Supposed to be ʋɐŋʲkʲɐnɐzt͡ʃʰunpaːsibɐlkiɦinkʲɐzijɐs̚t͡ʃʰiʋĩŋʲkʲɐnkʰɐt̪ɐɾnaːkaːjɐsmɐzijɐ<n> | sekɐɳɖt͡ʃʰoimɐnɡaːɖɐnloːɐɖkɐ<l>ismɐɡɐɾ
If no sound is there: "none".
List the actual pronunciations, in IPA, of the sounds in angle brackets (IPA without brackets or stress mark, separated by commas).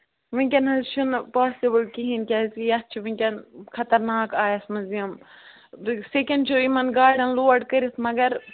m, ɾ